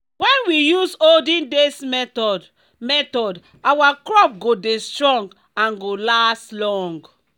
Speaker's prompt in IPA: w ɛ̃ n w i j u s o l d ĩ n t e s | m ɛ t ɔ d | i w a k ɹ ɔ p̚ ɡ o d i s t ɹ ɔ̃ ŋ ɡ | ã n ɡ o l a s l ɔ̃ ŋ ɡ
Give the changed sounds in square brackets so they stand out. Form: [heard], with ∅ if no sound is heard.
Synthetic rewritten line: w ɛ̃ n w i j u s o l d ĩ n [d] e s | m ɛ t ɔ d | [a] w a k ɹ ɔ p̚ ɡ o d [e] s t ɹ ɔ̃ ŋ ɡ | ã n ɡ o l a s l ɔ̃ ŋ ɡ